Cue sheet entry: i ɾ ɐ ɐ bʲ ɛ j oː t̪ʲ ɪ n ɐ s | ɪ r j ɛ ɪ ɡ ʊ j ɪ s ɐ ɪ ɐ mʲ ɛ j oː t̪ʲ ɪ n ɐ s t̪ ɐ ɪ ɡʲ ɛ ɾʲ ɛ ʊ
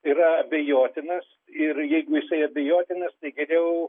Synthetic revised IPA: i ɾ ɐ ɐ bʲ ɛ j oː t̪ʲ ɪ n ɐ s | ɪ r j ɛ ɪ ɡ ʊ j ɪ s ɐ ɪ ɐ bʲ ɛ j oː t̪ʲ ɪ n ɐ s t̪ ɐ ɪ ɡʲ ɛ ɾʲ ɛ ʊ